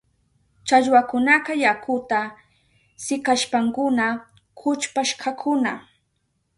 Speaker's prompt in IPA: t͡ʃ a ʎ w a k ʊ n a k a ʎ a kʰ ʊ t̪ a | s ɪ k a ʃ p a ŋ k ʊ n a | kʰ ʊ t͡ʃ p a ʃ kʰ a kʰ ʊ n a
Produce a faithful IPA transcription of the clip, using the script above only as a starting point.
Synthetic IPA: t͡ʃ a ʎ w a k ʊ n a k a j a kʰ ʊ t̪ a | s ɪ k a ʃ p a ŋ k ʊ n a | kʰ ʊ t͡ʃ p a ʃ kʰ a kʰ ʊ n a